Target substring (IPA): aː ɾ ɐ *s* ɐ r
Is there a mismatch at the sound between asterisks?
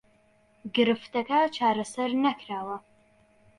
no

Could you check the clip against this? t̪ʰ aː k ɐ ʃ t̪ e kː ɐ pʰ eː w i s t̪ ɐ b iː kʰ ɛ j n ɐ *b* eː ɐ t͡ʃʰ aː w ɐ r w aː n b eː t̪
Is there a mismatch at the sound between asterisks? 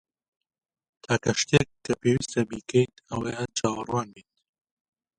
yes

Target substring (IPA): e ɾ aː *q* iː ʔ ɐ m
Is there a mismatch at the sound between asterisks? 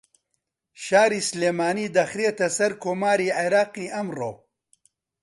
no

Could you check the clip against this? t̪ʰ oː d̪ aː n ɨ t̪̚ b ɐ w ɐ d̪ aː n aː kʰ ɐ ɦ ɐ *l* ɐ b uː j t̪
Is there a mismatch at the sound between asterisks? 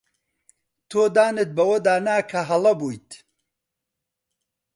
no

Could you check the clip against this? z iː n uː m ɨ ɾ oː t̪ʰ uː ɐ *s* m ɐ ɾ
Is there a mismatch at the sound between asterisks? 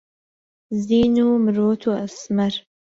no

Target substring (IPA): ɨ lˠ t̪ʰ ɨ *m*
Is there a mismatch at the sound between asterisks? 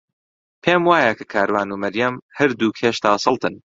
yes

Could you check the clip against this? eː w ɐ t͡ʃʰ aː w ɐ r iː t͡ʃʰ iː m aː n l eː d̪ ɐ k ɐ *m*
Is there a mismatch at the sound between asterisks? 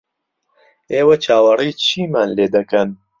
yes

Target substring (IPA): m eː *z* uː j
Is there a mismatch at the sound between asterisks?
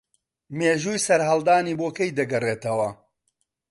yes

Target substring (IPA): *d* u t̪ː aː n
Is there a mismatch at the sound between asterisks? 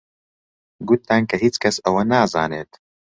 yes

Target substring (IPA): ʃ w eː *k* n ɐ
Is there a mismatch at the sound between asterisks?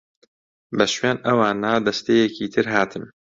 yes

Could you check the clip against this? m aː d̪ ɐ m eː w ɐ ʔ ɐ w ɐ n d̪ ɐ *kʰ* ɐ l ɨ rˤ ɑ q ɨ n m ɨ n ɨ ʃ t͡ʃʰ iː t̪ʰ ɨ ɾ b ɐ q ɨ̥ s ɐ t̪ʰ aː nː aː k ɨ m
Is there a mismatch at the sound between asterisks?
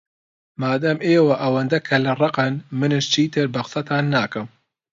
no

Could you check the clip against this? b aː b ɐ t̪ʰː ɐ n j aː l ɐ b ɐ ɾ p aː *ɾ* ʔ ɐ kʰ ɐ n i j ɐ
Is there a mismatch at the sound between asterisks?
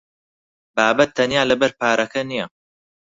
no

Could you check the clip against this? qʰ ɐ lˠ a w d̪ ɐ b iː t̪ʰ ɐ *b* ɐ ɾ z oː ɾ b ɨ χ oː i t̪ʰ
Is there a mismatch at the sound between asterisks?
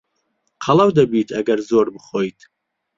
yes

